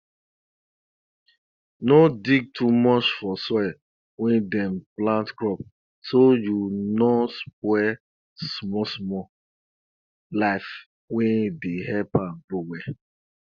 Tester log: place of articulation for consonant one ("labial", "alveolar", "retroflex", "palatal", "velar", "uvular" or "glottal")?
alveolar